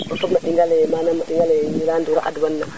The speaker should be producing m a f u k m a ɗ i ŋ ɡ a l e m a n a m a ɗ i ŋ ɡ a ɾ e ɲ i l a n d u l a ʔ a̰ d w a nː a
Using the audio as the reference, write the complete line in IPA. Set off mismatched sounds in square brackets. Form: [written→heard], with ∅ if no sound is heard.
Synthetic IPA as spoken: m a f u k m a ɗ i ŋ ɡ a l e m a n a m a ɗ i ŋ ɡ a [ɾ→l] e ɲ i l a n d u [l→ɾ] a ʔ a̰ d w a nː a